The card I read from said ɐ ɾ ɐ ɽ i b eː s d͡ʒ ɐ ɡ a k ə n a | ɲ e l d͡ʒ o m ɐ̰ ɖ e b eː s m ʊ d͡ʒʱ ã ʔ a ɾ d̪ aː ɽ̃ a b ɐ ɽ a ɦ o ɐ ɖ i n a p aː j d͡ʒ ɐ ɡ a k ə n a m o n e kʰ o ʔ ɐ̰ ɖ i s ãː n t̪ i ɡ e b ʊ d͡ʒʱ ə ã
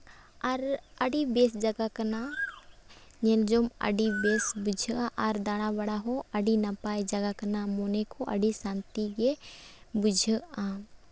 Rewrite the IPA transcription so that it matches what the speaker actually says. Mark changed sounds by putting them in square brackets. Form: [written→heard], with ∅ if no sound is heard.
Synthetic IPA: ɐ ɾ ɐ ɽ i b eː s d͡ʒ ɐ ɡ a k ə n a | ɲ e l d͡ʒ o m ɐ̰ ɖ [e→i] b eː s [m→b] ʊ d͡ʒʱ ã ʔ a ɾ d̪ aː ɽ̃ a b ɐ ɽ a ɦ o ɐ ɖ i n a p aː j d͡ʒ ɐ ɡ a k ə n a m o n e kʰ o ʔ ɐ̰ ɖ i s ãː n t̪ i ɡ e b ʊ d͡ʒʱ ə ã